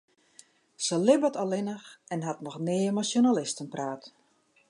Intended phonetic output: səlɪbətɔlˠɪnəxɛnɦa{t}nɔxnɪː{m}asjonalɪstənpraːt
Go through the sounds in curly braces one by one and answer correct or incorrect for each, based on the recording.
correct, correct

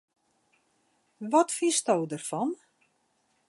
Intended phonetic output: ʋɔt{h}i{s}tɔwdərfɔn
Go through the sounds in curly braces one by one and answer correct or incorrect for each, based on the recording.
incorrect: f, correct

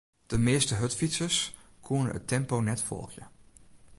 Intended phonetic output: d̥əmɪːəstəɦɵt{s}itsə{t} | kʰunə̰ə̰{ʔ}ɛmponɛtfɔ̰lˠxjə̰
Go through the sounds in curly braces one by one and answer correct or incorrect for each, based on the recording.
incorrect: f, incorrect: s, incorrect: t

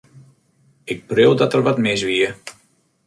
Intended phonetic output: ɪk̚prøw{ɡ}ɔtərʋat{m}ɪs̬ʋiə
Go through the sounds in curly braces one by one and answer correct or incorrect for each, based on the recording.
incorrect: d, correct

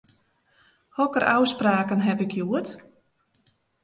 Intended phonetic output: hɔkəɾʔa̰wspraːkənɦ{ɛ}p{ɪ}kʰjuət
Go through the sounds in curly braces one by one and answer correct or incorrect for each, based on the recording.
correct, correct

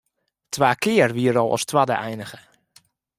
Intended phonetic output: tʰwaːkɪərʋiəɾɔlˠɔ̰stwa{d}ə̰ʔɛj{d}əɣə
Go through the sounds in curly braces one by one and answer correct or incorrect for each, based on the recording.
correct, incorrect: n

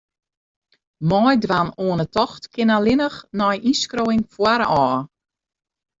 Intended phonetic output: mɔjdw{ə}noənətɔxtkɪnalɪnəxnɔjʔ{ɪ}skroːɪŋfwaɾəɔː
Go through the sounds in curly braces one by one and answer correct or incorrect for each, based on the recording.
incorrect: a, incorrect: i

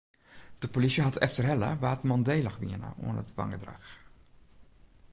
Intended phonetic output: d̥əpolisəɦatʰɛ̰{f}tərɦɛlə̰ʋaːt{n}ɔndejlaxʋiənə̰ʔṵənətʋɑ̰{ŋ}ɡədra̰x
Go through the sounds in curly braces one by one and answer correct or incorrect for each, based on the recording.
correct, incorrect: m, correct

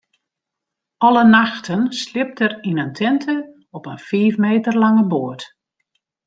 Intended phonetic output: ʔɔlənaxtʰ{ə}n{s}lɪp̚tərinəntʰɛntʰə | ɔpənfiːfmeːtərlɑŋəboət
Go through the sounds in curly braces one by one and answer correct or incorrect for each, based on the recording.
correct, correct

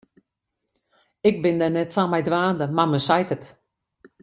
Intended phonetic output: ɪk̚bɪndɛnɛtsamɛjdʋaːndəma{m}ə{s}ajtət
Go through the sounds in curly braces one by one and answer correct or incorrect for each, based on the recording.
correct, correct

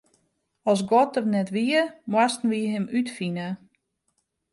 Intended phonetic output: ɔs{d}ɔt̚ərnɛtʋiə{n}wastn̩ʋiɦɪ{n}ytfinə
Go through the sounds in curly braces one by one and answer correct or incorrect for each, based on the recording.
incorrect: ɡ, incorrect: m, incorrect: m

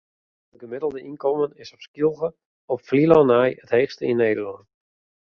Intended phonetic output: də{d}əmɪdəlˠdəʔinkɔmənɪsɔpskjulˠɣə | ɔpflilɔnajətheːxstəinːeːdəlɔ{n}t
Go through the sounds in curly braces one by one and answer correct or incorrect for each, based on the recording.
incorrect: ɡ, correct

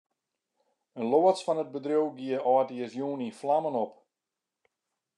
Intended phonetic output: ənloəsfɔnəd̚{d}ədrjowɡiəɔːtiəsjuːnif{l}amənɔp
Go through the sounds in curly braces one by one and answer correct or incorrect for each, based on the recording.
incorrect: b, correct

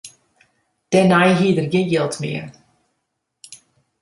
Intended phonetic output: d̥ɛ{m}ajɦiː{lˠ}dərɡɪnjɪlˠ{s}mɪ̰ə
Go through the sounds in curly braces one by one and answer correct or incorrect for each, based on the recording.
incorrect: n, incorrect: none, incorrect: t

